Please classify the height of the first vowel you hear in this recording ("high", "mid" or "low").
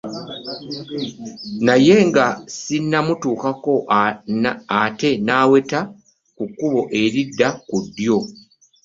low